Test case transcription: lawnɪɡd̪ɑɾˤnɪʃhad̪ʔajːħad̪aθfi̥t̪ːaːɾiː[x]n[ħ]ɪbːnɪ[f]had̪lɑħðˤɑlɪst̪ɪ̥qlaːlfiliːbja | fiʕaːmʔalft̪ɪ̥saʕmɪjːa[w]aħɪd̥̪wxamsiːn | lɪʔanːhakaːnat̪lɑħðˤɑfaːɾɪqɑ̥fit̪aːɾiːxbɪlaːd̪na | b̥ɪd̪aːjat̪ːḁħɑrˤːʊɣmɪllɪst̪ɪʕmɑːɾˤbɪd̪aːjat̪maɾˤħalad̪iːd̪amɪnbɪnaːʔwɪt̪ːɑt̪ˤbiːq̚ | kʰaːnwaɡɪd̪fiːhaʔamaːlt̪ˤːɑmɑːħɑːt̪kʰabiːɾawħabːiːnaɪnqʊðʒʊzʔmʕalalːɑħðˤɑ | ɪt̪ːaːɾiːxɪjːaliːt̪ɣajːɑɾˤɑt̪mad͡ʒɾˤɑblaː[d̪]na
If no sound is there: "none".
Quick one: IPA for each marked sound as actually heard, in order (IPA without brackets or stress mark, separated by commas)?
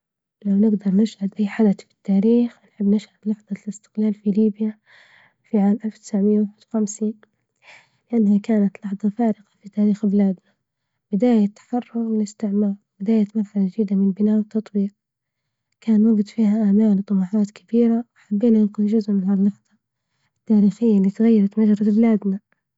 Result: x, ħ, ʃ, w, d̪